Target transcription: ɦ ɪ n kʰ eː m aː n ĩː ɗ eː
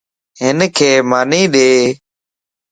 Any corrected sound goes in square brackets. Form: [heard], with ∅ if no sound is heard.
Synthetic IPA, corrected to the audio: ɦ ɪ n kʰ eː m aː n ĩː ɗ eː